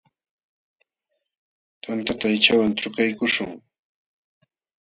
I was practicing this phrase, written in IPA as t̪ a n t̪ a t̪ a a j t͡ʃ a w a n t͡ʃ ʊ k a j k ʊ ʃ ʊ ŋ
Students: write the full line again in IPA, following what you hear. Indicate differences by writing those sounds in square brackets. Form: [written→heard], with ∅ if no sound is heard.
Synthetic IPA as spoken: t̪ a n t̪ a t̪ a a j t͡ʃ a w a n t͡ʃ ʊ k a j k ʊ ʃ ʊ ŋ